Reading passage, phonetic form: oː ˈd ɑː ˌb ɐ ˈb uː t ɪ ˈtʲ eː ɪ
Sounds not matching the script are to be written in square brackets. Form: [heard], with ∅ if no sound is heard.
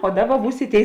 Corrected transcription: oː ˈd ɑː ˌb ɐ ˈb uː [s] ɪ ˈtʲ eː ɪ

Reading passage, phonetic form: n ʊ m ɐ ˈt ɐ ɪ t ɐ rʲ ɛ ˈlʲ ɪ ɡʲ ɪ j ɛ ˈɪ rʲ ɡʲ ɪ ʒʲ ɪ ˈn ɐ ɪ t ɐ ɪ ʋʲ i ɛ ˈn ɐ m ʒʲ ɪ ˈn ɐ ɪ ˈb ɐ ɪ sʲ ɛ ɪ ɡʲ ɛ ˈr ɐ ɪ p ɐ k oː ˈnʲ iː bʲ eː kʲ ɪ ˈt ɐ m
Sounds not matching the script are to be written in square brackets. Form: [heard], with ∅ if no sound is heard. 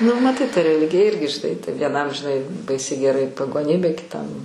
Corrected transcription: n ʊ m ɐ ˈt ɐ ɪ t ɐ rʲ ɛ ˈlʲ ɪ ɡʲ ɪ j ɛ ˈɪ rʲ ɡʲ ɪ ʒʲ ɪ ˈn ɐ ɪ t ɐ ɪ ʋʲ i ɛ ˈn ɐ m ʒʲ ɪ ˈn ɐ ɪ ˈb ɐ ɪ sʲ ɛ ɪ ɡʲ ɛ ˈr ɐ ɪ p ɐ [ɡ] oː ˈnʲ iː bʲ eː kʲ ɪ ˈt ɐ m

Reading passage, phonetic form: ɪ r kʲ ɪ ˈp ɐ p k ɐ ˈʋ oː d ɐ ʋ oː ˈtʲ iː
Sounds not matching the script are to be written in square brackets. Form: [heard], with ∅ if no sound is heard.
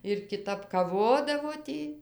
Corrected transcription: ɪ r kʲ ɪ [ˈt] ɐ p k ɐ ˈʋ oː d ɐ ʋ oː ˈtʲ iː

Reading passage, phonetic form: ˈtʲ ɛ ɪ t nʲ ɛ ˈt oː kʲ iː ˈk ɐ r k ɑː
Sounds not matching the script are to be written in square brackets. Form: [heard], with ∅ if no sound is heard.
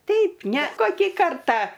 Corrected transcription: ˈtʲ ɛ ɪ [p] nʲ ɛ [ˈk] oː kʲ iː ˈk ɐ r [t] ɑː

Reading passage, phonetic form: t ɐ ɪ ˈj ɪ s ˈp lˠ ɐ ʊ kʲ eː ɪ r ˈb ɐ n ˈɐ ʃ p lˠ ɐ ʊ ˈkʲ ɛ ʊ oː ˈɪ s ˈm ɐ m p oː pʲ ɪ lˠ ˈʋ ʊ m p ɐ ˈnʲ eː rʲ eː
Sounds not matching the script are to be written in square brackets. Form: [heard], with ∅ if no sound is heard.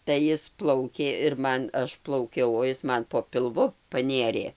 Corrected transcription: t ɐ ɪ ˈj ɪ s ˈp lˠ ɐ ʊ kʲ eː ɪ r [ˈm] ɐ n ˈɐ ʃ p lˠ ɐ ʊ ˈkʲ ɛ ʊ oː ˈɪ s ˈm ɐ [n] p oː pʲ ɪ lˠ ˈʋ ʊ [∅] p ɐ ˈnʲ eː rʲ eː

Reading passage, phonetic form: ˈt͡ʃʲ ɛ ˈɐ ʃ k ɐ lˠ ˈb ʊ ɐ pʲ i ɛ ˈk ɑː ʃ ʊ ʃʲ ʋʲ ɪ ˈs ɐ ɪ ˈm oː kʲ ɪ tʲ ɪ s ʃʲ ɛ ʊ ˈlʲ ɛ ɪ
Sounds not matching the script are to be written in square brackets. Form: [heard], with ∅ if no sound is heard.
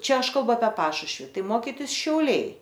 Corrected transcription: ˈt͡ʃʲ ɛ ˈɐ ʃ k ɐ lˠ ˈb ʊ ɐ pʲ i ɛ [ˈp] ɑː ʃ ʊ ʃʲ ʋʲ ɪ [ˈt] ɐ ɪ ˈm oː kʲ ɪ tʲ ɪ s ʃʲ ɛ ʊ ˈlʲ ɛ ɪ

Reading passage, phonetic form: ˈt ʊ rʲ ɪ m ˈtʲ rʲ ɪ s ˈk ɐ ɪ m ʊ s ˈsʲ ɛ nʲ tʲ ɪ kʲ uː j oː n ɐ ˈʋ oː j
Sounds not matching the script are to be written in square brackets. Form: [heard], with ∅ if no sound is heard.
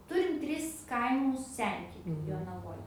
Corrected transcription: ˈt ʊ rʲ ɪ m ˈtʲ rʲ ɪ s ˈk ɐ ɪ m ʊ s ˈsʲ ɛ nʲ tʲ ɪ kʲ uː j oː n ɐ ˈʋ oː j

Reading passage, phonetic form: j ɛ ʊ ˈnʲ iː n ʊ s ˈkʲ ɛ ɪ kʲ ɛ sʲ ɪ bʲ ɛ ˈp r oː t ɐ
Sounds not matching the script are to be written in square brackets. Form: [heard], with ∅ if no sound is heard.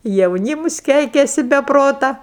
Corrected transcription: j ɛ ʊ ˈnʲ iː [m] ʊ s ˈkʲ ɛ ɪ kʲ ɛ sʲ ɪ bʲ ɛ ˈp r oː t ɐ

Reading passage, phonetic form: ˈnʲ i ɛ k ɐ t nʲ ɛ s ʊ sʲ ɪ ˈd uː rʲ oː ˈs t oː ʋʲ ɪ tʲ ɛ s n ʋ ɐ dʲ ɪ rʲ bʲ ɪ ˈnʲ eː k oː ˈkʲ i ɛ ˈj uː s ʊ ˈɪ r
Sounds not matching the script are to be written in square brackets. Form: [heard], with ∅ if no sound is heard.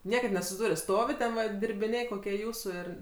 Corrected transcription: ˈnʲ i ɛ k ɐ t nʲ ɛ s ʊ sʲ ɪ ˈd uː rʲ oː ˈs t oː ʋʲ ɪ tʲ ɛ [∅] n ʋ ɐ dʲ ɪ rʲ bʲ ɪ ˈnʲ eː k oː ˈkʲ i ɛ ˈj uː s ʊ ˈɪ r

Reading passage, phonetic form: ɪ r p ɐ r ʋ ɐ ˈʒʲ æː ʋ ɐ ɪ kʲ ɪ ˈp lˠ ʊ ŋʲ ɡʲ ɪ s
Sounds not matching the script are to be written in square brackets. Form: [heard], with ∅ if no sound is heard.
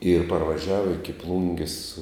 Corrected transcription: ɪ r p ɐ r ʋ ɐ ˈʒʲ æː ʋ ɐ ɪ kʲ ɪ ˈp lˠ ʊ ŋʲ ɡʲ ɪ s

